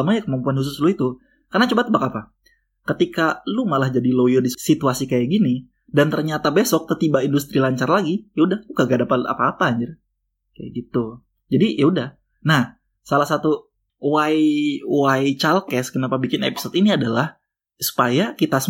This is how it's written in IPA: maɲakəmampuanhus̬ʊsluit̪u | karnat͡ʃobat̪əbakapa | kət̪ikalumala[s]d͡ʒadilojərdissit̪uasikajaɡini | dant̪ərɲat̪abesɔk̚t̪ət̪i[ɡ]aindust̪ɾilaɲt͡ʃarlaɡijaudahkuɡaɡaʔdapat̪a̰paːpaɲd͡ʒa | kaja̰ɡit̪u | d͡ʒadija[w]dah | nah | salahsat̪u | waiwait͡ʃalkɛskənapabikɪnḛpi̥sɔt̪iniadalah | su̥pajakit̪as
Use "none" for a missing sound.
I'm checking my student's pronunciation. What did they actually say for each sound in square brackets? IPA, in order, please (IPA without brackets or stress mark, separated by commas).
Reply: h, b, u